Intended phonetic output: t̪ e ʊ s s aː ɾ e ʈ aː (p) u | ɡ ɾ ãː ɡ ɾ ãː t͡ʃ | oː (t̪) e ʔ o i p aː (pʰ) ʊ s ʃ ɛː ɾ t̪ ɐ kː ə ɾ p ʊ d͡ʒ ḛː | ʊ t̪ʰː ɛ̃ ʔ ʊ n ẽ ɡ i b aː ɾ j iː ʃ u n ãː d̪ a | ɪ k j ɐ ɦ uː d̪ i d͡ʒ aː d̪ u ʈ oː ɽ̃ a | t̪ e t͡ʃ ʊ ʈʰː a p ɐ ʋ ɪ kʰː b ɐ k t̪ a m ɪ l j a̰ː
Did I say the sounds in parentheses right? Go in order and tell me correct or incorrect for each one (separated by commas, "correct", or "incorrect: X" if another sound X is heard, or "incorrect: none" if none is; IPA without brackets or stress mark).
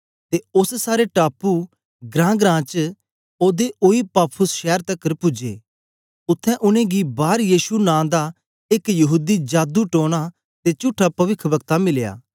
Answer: correct, incorrect: d̪, correct